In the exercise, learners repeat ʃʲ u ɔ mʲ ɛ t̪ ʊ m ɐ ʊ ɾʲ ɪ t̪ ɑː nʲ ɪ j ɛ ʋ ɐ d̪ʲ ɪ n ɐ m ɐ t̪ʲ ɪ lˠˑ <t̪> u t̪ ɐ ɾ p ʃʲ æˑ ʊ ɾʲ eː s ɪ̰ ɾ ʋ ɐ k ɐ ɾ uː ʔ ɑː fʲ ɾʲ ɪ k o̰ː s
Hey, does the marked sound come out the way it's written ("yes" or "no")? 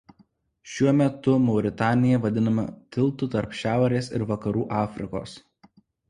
yes